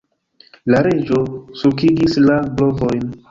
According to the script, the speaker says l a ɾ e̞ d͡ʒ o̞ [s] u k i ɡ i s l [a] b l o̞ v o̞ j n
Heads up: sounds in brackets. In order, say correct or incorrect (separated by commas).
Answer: correct, correct